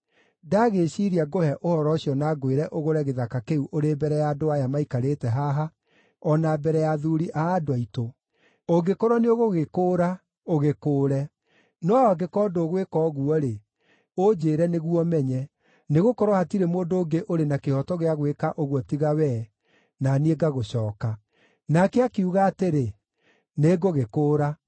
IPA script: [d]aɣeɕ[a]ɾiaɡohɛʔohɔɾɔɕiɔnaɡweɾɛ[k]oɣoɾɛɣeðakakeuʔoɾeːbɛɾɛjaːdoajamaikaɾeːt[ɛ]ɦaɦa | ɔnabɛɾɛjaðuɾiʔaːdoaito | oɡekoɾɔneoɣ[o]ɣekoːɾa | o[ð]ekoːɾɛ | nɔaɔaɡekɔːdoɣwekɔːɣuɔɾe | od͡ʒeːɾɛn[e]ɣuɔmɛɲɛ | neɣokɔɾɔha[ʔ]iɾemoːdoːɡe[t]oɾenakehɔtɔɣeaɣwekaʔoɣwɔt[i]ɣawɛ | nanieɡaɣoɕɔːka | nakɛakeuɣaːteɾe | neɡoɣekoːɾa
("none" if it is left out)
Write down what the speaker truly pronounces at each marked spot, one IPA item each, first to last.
d, i, ʔ, ɛ, o, ɣ, e, t, ʔ, i

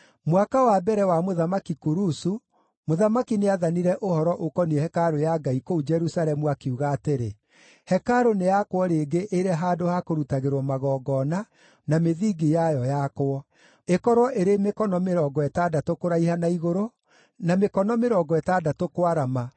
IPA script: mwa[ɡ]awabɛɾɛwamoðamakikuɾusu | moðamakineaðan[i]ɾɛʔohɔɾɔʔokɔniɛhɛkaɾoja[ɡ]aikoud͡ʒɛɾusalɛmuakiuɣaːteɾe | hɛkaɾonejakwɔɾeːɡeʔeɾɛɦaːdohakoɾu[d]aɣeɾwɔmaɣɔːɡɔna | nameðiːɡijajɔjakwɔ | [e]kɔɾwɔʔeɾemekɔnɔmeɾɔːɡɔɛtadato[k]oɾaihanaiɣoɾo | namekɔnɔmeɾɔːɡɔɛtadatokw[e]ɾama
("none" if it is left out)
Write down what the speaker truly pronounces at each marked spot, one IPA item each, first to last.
k, i, ɡ, t, e, k, a

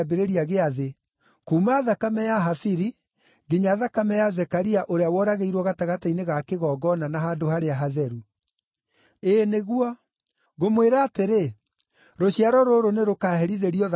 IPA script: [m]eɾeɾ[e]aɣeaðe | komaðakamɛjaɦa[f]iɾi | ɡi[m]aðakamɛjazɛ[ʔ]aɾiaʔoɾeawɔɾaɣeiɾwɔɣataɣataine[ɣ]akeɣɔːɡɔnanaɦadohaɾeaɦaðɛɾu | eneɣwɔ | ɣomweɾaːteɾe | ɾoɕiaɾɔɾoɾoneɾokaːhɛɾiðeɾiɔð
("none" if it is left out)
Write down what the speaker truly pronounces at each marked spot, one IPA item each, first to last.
b, i, f, ɲ, k, ɣ

